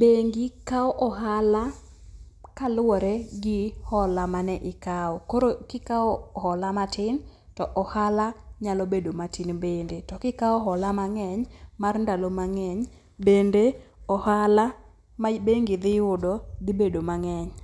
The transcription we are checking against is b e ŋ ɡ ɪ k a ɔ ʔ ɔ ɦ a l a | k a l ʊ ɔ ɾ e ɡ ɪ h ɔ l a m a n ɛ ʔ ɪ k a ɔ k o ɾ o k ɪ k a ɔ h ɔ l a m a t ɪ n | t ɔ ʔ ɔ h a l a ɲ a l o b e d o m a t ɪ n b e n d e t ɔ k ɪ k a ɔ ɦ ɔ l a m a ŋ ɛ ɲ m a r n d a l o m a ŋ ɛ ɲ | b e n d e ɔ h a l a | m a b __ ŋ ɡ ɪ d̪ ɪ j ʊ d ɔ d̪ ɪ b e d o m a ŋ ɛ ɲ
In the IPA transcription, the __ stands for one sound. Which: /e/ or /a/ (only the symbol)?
e